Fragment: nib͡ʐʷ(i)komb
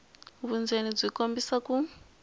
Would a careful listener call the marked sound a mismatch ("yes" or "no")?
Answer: no